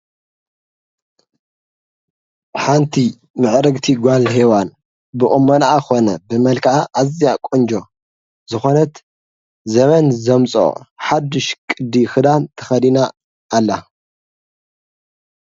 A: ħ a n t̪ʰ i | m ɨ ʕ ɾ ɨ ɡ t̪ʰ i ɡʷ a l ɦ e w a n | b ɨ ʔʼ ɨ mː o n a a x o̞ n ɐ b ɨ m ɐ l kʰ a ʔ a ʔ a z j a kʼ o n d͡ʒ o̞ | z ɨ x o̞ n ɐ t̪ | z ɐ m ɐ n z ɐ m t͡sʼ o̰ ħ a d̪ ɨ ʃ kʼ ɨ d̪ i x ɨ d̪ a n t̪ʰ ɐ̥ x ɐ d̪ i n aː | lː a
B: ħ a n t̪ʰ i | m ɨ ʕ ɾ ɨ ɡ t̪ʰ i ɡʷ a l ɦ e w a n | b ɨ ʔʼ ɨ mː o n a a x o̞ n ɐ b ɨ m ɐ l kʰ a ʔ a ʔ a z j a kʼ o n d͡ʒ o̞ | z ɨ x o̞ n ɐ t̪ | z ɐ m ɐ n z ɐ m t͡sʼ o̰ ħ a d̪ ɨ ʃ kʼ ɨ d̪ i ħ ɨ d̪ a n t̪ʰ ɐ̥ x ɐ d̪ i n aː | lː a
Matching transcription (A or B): A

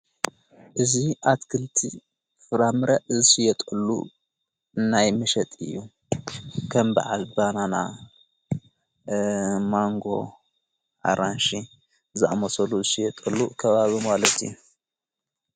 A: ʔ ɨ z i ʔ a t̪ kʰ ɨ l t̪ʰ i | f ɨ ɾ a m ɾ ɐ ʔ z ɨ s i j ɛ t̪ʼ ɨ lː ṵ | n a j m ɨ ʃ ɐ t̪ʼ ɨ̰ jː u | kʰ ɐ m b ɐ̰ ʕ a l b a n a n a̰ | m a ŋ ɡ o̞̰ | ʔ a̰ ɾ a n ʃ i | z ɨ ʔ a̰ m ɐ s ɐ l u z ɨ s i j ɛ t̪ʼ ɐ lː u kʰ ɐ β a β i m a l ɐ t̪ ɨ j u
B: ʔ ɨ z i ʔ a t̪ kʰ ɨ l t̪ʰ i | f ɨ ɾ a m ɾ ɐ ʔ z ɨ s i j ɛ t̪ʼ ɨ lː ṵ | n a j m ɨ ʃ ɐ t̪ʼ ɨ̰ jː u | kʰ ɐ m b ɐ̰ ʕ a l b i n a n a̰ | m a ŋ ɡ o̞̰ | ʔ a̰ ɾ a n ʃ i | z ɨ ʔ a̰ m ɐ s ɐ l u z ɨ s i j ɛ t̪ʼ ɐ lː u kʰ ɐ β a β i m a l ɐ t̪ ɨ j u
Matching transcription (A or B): A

